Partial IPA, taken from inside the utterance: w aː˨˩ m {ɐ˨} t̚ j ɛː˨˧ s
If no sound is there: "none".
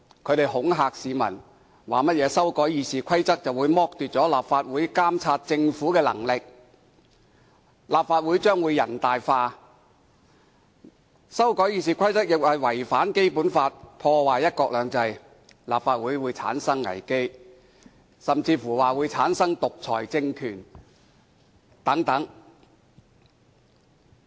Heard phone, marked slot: ɐ˥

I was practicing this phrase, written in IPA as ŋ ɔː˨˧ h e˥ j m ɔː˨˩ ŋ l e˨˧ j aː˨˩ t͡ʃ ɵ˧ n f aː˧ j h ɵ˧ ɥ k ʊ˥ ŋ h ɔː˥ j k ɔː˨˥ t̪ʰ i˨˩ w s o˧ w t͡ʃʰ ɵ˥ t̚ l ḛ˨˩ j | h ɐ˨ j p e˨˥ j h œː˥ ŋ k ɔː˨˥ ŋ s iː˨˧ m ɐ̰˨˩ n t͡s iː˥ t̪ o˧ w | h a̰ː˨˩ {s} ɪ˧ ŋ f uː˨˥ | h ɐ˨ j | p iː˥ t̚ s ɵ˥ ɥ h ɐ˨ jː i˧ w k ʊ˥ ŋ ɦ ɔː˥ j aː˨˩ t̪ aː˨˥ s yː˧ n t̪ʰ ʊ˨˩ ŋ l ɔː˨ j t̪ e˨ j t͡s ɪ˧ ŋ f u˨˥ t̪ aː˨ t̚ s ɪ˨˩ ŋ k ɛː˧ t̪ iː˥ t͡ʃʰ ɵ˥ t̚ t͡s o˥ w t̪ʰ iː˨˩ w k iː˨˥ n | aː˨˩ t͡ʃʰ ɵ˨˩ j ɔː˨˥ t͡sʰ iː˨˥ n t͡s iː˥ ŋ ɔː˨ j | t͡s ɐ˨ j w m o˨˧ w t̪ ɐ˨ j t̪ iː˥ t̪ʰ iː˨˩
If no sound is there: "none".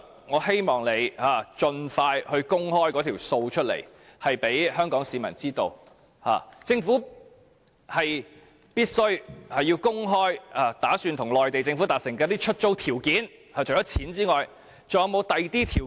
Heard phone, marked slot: t͡s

